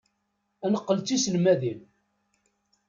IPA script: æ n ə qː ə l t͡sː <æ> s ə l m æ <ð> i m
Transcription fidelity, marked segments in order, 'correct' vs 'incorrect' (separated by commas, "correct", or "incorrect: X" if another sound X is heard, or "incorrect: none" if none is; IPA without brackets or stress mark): incorrect: i, correct